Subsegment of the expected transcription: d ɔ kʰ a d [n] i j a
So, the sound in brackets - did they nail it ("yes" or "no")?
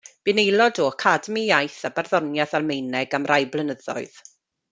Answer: no